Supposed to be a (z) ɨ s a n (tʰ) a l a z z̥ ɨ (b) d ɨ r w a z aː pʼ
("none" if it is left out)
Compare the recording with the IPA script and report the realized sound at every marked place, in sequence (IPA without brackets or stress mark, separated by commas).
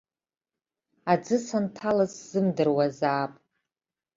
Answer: d͡z, tʰ, m